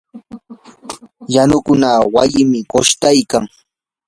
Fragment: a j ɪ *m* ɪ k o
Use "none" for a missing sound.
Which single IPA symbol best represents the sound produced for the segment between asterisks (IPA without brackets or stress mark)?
m